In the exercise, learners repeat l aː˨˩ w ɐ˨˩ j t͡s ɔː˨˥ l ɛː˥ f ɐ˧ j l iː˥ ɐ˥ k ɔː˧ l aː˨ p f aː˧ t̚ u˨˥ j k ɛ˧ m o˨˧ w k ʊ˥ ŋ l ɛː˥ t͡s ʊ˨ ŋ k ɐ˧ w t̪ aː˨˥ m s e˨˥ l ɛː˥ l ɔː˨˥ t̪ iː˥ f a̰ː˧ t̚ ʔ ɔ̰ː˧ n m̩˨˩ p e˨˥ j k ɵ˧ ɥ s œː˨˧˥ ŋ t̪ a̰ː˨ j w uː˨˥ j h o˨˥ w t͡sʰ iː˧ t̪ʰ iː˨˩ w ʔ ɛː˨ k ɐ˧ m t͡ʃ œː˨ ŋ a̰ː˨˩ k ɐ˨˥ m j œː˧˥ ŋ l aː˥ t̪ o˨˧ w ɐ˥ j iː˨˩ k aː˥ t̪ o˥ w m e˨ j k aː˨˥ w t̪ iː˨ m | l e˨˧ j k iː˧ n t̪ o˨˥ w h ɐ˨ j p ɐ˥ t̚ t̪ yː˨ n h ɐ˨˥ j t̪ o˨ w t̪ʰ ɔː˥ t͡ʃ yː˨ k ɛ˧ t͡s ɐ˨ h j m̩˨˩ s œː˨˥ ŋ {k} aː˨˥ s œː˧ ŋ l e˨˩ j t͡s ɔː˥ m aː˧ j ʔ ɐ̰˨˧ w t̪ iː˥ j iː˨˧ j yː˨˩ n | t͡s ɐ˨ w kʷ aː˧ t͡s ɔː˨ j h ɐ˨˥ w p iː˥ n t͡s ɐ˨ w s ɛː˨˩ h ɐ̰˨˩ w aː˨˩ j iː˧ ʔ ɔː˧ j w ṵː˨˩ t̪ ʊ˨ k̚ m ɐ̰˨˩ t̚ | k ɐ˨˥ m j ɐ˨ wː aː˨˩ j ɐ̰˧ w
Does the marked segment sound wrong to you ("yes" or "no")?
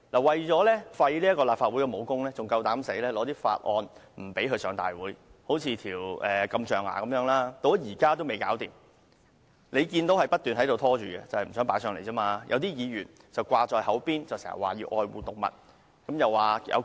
yes